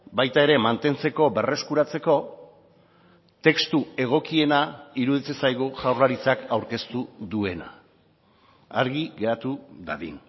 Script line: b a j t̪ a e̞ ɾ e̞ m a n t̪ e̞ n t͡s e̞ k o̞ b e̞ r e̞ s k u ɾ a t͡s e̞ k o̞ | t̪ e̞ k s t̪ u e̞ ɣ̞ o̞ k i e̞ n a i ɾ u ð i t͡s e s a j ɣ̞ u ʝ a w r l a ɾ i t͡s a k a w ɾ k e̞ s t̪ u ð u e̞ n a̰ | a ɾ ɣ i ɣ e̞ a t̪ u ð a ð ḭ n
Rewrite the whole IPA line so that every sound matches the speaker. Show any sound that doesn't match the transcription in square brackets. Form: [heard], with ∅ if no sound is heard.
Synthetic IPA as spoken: b a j t̪ a e̞ ɾ e̞ m a n t̪ e̞ n t͡s e̞ k o̞ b e̞ r e̞ s k u ɾ a t͡s e̞ k o̞ | t̪ e̞ k s t̪ u e̞ ɣ̞ o̞ k i e̞ n a i ɾ u ð i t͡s e s a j ɣ̞ u ʝ a w r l a ɾ i t͡s a k a w ɾ k e̞ s t̪ u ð u e̞ n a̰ | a ɾ ɣ i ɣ e̞ a t̪ u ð a ð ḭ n

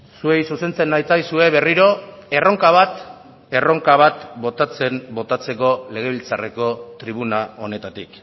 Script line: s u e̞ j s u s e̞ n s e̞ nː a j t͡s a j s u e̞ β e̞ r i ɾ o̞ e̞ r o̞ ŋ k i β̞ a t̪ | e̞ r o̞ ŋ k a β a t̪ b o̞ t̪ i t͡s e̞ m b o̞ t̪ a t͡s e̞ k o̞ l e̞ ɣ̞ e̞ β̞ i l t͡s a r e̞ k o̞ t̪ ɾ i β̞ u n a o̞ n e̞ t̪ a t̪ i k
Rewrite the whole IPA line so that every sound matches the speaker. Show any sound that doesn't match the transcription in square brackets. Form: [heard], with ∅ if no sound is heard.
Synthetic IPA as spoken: s u e̞ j s u s e̞ n [t͡s] e̞ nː a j t͡s a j s u e̞ β e̞ r i ɾ o̞ e̞ r o̞ ŋ k [a] β̞ a t̪ | e̞ r o̞ ŋ k a β a t̪ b o̞ t̪ [a] t͡s e̞ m b o̞ t̪ a t͡s e̞ k o̞ l e̞ ɣ̞ e̞ β̞ i l t͡s a r e̞ k o̞ t̪ ɾ i β̞ u n a o̞ n e̞ t̪ a t̪ i k

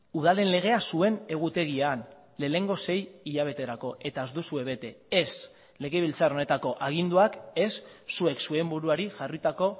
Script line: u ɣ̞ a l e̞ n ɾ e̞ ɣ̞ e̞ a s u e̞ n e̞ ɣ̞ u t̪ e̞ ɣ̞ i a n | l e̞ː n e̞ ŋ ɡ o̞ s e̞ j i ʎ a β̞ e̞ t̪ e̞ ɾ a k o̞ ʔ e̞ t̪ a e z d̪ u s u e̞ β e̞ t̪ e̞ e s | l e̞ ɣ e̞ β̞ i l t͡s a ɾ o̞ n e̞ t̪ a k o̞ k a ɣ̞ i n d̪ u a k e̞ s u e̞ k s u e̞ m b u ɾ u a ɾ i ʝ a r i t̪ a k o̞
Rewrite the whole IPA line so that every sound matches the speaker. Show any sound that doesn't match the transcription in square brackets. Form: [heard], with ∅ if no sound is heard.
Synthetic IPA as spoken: u [ð̞] a l e̞ n [l] e̞ ɣ̞ e̞ a s u e̞ n e̞ ɣ̞ u t̪ e̞ ɣ̞ i a n | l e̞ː n e̞ ŋ ɡ o̞ s e̞ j i ʎ a β̞ e̞ t̪ e̞ ɾ a k o̞ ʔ e̞ t̪ a e z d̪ u s u e̞ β e̞ t̪ e̞ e s | l e̞ ɣ e̞ β̞ i l t͡s a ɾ o̞ n e̞ t̪ a k o̞ [ʔ] a ɣ̞ i n d̪ u a k e̞ [sː] u e̞ k s u e̞ m b u ɾ u a ɾ i ʝ a r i t̪ a k o̞

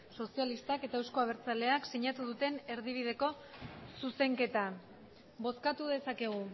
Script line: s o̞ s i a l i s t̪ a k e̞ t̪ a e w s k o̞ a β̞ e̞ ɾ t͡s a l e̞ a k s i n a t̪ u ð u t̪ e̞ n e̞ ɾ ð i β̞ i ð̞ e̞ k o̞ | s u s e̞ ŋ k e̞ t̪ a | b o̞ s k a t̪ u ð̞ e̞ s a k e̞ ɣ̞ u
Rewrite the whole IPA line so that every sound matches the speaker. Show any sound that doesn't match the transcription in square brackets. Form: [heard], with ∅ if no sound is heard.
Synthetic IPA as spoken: s o̞ s i a l i s t̪ a k e̞ t̪ a e w s k o̞ a β̞ e̞ ɾ t͡s a l e̞ a k s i [ɲ] a t̪ u ð u t̪ e̞ n e̞ ɾ ð i β̞ i ð̞ e̞ k o̞ | s u s e̞ ŋ k e̞ t̪ a | b o̞ s k a t̪ u ð̞ e̞ s a k e̞ ɣ̞ u

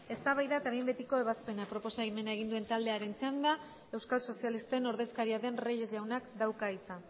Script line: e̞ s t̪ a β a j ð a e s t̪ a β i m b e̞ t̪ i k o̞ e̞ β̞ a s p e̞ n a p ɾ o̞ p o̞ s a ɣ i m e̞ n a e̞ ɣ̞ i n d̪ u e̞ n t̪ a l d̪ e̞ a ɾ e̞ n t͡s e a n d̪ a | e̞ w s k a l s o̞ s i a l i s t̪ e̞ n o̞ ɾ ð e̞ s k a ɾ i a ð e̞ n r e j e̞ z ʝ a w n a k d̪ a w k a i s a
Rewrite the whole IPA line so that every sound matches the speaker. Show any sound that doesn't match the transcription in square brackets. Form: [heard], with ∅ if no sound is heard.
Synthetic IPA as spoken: e̞ s t̪ a β a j ð a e [∅] t̪ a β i m b e̞ t̪ i k o̞ e̞ β̞ a s p e̞ n a p ɾ o̞ p o̞ s a ɣ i m e̞ n a e̞ ɣ̞ i n d̪ u e̞ n t̪ a l d̪ e̞ a ɾ e̞ n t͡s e a n d̪ a | e̞ w s k a l s o̞ s i a l i s t̪ e̞ n o̞ ɾ ð e̞ s k a ɾ i a ð e̞ n r e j e̞ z ʝ a w n a k d̪ a w k a i s a

